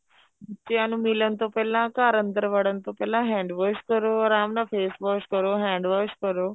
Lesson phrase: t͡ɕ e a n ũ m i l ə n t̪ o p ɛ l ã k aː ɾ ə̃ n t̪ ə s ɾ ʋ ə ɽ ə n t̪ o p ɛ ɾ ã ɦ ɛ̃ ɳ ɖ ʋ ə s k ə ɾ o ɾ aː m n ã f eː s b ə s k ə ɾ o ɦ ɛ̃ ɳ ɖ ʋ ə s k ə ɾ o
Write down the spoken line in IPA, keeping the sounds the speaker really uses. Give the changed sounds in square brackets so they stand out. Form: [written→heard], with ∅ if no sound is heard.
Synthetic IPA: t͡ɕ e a n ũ m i l ə n t̪ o p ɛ l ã k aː ɾ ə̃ n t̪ ə [s→∅] ɾ ʋ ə ɽ ə n t̪ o p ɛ [ɾ→l] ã ɦ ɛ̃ ɳ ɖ ʋ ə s k ə ɾ o ɾ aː m n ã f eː s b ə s k ə ɾ o ɦ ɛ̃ ɳ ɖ ʋ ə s k ə ɾ o